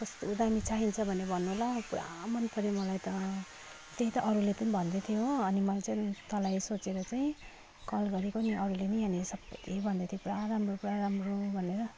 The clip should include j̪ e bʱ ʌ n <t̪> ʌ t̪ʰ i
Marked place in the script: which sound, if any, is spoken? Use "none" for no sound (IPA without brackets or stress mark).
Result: d̪